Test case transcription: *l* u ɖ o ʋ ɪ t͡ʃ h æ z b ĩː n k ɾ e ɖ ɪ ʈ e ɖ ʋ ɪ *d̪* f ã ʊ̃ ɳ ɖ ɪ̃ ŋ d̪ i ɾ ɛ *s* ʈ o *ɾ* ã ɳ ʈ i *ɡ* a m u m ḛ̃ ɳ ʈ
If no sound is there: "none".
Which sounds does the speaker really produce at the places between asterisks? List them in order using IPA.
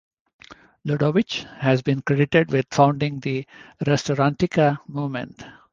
l, d̪, s, ɾ, k

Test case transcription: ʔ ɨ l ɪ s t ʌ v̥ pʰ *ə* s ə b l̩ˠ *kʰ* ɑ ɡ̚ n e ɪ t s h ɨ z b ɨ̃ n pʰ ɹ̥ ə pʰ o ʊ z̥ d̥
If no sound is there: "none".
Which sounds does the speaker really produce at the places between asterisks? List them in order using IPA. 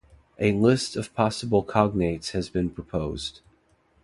ɑ, kʰ

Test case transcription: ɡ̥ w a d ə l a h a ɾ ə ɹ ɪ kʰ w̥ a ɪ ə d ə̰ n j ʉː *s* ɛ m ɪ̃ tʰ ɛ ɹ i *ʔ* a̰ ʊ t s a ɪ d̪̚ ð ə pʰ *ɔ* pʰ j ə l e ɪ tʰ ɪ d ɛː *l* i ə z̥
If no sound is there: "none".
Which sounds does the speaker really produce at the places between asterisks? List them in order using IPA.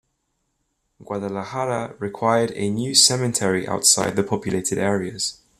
s, ʔ, ɒ, ɹ

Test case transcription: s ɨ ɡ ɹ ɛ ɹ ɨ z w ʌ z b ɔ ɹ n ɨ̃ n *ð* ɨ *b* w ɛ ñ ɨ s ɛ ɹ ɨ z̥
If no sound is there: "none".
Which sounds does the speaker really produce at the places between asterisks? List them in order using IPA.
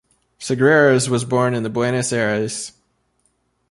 ð, b

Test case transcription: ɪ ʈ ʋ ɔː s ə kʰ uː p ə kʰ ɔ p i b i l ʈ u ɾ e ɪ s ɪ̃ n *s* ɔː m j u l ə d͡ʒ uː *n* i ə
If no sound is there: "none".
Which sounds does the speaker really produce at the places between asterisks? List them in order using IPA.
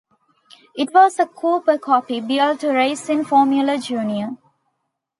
f, n

